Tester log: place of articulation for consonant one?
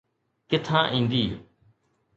velar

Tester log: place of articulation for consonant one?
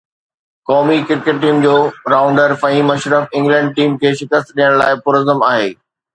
velar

